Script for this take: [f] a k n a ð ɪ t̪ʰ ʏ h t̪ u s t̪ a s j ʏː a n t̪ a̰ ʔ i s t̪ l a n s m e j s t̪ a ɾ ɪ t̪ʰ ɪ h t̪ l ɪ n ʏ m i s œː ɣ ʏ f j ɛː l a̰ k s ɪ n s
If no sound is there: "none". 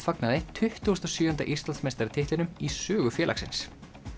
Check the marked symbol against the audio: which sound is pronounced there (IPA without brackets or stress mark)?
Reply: f